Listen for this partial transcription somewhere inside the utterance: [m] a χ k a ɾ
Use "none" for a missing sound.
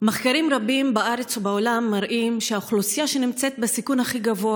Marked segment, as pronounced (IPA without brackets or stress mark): m